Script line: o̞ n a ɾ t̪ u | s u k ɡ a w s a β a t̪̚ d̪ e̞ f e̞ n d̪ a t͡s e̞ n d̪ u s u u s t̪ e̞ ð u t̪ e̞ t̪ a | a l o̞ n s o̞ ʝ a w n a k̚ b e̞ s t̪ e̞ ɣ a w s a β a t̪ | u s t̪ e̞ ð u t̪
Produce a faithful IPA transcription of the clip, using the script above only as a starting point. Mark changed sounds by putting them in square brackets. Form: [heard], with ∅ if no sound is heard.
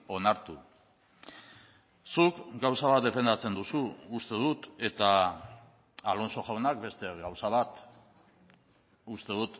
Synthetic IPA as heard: o̞ n a ɾ t̪ u | s u k ɡ a w s a β a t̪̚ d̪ e̞ f e̞ n d̪ a t͡s e̞ n d̪ u s u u s t̪ e̞ ð u t̪ e̞ t̪ a | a l o̞ n s o̞ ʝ a w n a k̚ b e̞ s t̪ e̞ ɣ a w s a β a t̪ | u s t̪ e̞ ð u t̪

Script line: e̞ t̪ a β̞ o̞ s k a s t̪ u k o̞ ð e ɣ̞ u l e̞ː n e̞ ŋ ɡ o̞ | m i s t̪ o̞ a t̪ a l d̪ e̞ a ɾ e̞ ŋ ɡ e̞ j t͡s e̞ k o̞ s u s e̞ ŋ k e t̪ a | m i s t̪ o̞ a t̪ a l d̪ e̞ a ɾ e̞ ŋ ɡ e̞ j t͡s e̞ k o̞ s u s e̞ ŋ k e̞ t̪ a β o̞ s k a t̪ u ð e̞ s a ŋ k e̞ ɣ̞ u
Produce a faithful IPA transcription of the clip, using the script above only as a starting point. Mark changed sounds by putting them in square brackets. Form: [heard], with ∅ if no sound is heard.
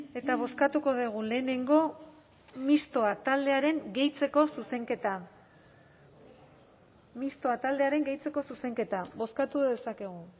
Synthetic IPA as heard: e̞ t̪ a β̞ o̞ s k a [∅] t̪ u k o̞ ð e ɣ̞ u l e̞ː n e̞ ŋ ɡ o̞ | m i s t̪ o̞ a t̪ a l d̪ e̞ a ɾ e̞ ŋ ɡ e̞ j t͡s e̞ k o̞ s u s e̞ ŋ k e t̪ a | m i s t̪ o̞ a t̪ a l d̪ e̞ a ɾ e̞ ŋ ɡ e̞ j t͡s e̞ k o̞ s u s e̞ ŋ k e̞ t̪ a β o̞ s k a t̪ u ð e̞ s a [∅] k e̞ ɣ̞ u

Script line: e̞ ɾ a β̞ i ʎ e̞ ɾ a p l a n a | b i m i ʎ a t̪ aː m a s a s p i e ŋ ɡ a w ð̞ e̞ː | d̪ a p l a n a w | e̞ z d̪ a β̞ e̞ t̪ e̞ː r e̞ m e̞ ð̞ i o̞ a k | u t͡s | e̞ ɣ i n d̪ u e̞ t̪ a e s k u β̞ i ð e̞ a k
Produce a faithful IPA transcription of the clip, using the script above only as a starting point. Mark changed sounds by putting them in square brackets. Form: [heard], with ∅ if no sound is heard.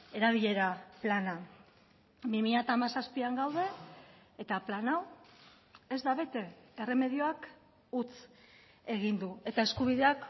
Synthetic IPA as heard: e̞ ɾ a β̞ i ʎ e̞ ɾ a p l a n a | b i m i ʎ a t̪ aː m a s a s p i [a] ŋ ɡ a w ð̞ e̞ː | [t̪] a p l a n a w | e̞ z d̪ a β̞ e̞ t̪ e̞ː r e̞ m e̞ ð̞ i o̞ a k | u t͡s | e̞ ɣ i n d̪ u e̞ t̪ a e s k u β̞ i ð e̞ a k

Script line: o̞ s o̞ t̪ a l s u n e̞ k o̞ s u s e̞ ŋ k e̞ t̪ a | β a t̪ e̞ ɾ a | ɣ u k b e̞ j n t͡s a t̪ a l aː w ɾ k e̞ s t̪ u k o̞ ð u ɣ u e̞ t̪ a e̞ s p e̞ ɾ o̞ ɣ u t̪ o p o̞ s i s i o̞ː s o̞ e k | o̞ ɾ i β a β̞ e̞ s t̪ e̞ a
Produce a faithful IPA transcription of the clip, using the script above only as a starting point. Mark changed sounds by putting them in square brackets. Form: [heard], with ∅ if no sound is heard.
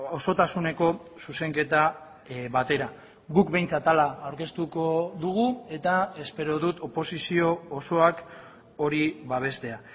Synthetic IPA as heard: o̞ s o̞ t̪ a [∅] s u n e̞ k o̞ s u s e̞ ŋ k e̞ t̪ a | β a t̪ e̞ ɾ a | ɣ u k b e̞ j n t͡s a t̪ a l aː w ɾ k e̞ s t̪ u k o̞ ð u ɣ u e̞ t̪ a e̞ s p e̞ ɾ o̞ [ð] u t̪ o p o̞ s i s i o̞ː s o̞ [a] k | o̞ ɾ i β a β̞ e̞ s t̪ e̞ a

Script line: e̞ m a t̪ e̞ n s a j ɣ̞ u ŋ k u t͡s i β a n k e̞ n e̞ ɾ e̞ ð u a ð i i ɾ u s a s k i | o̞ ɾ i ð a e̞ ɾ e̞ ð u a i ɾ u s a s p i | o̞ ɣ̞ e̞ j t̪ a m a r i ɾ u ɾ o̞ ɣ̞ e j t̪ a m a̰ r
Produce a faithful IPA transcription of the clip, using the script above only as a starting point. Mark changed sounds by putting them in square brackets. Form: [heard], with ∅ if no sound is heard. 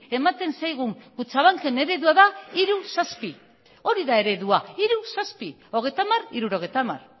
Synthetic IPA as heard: e̞ m a t̪ e̞ n s a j ɣ̞ u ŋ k u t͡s [a] β a [ŋ] k e̞ n e̞ ɾ e̞ ð u a ð [a] i ɾ u s a s [p] i | o̞ ɾ i ð a e̞ ɾ e̞ ð u a i ɾ u s a s p i | o̞ ɣ̞ e̞ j t̪ a m a r i ɾ u ɾ o̞ ɣ̞ e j t̪ a m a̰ r

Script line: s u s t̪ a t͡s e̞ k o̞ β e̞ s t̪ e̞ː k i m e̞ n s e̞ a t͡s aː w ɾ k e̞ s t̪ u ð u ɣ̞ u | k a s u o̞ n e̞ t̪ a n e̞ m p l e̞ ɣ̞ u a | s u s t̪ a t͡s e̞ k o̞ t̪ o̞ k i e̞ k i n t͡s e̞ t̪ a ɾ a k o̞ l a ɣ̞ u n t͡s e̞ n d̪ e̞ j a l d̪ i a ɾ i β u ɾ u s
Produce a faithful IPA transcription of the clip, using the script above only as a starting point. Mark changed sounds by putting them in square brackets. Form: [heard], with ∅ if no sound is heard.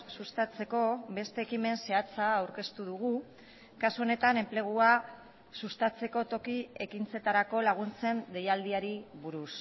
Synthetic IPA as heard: s u s t̪ a t͡s e̞ k o̞ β e̞ s t̪ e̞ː k i m e̞ n s e̞ a t͡s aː w ɾ k e̞ s t̪ u ð u ɣ̞ u | k a s u o̞ n e̞ t̪ a n e̞ m p l e̞ ɣ̞ u a | s u s t̪ a t͡s e̞ k o̞ t̪ o̞ k i e̞ k i n t͡s e̞ t̪ a ɾ a k o̞ l a ɣ̞ u n t͡s e̞ n d̪ e̞ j a l d̪ i a ɾ i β u ɾ u s

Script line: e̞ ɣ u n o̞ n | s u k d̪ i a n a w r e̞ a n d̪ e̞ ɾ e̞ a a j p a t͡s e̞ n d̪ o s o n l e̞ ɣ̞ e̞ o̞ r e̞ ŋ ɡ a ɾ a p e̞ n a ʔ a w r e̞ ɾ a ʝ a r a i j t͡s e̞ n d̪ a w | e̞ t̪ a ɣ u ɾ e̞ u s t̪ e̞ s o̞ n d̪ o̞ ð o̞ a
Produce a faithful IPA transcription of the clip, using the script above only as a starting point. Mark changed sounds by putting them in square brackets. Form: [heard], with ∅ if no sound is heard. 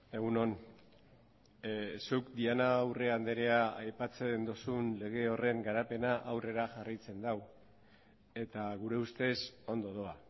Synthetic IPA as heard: e̞ ɣ u n o̞ n | s u k d̪ i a n a w r e̞ a n d̪ e̞ ɾ e̞ a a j p a t͡s e̞ n d̪ o s [u] n l e̞ ɣ̞ e̞ o̞ r e̞ ŋ ɡ a ɾ a p e̞ n a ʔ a w r e̞ ɾ a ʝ a r a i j t͡s e̞ n d̪ a w | e̞ t̪ a ɣ u ɾ e̞ u s t̪ e̞ s o̞ n d̪ o̞ ð o̞ a

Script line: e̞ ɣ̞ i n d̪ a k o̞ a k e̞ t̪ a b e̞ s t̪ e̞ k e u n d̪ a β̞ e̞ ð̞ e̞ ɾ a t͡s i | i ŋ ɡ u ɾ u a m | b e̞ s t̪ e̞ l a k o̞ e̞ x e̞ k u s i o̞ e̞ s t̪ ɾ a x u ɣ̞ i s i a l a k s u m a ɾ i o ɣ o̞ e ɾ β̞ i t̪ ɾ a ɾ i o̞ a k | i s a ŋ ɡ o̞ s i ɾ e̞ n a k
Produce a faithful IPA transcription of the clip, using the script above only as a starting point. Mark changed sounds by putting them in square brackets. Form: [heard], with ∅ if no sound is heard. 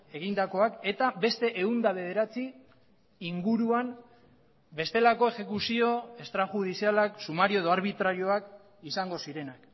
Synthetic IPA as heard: e̞ ɣ̞ i n d̪ a k o̞ a k e̞ t̪ a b e̞ s t̪ e̞ [ʔ] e u n d̪ a β̞ e̞ ð̞ e̞ ɾ a t͡s i | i ŋ ɡ u ɾ u a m | b e̞ s t̪ e̞ l a k o̞ e̞ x e̞ k u s i o̞ e̞ s t̪ ɾ a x u [ð̞] i s i a l a k s u m a ɾ i o [ð] o̞ [a] ɾ β̞ i t̪ ɾ a ɾ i o̞ a k | i s a ŋ ɡ o̞ s i ɾ e̞ n a k

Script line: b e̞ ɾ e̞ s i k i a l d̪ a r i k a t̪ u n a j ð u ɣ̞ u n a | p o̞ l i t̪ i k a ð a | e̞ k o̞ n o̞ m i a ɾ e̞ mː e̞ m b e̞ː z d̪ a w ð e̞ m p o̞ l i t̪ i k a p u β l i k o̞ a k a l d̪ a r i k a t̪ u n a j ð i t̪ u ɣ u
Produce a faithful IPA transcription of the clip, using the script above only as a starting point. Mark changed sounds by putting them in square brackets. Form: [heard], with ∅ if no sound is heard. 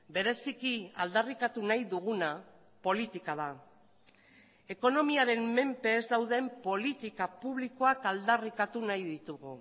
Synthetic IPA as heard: b e̞ ɾ e̞ s i k i a l d̪ a r i k a t̪ u n a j ð u ɣ̞ u n a | p o̞ l i t̪ i k a ð a | e̞ k o̞ n o̞ m i a ɾ e̞ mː e̞ m [p] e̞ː z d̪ a w ð e̞ m p o̞ l i t̪ i k a p u β l i k o̞ a k a l d̪ a r i k a t̪ u n a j ð i t̪ u ɣ u

